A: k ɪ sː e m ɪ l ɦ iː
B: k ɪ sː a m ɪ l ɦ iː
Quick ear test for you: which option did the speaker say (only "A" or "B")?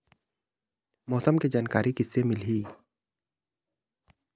A